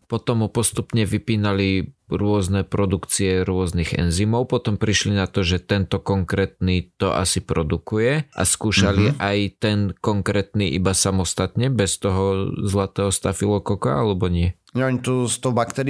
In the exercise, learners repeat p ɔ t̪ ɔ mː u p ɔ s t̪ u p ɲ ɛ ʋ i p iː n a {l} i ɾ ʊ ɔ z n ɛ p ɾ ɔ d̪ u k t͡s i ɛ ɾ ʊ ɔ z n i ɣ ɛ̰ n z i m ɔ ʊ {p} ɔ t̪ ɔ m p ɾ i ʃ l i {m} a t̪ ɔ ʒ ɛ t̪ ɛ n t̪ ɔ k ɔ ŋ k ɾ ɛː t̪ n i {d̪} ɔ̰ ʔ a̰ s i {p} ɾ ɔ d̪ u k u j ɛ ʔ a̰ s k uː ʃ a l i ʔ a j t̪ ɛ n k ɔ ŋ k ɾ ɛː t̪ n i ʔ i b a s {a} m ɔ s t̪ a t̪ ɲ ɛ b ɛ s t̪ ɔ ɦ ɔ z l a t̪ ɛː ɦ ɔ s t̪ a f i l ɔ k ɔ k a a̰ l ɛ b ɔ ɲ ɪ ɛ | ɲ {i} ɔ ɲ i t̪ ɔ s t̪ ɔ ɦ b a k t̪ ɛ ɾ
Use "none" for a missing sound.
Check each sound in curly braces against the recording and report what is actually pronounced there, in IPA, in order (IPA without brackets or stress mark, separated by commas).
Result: l, p, n, t̪, p, a, ɛ